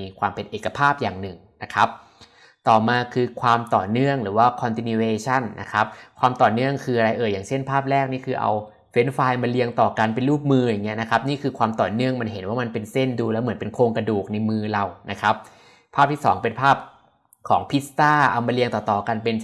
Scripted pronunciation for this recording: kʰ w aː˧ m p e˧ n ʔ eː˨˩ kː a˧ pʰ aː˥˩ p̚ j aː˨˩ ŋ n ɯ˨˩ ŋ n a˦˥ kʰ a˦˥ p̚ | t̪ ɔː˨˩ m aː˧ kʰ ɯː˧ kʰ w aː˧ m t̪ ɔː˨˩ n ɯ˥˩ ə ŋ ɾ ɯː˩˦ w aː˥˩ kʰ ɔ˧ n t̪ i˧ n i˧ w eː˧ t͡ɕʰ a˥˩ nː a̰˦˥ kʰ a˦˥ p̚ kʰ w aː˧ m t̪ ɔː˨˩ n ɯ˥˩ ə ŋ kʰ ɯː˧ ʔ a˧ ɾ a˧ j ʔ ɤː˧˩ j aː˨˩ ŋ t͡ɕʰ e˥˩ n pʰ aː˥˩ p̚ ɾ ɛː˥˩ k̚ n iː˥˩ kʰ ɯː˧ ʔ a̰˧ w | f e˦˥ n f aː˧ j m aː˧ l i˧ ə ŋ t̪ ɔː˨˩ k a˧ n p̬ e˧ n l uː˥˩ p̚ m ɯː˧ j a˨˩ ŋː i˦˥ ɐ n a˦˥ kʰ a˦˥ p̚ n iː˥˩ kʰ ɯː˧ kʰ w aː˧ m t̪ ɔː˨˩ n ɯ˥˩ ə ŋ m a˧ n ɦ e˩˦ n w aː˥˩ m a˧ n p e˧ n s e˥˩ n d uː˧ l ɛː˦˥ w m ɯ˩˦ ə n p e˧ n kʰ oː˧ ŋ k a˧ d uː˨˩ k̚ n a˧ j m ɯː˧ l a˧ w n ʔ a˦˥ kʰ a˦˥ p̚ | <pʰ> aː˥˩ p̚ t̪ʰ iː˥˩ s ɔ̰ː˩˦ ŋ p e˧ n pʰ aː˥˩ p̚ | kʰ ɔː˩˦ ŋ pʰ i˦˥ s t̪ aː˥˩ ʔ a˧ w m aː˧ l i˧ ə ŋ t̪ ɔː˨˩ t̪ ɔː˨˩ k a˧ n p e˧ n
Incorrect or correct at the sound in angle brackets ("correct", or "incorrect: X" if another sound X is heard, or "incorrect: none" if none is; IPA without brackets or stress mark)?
correct